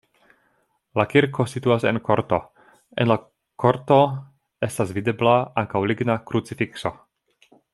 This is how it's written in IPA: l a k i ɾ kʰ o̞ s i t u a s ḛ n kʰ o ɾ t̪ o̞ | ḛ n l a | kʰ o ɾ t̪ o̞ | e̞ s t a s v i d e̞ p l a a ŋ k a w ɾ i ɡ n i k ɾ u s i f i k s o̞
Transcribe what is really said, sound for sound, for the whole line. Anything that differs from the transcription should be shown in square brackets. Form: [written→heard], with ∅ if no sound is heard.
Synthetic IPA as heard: l a k i ɾ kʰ o̞ s i t u a s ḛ n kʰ o ɾ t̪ o̞ | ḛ n l a | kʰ o ɾ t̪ o̞ | e̞ s t a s v i d e̞ [p→b] l a a ŋ k a w [ɾ→l] i ɡ n [i→a] k ɾ u [s→t͡s] i f i k s o̞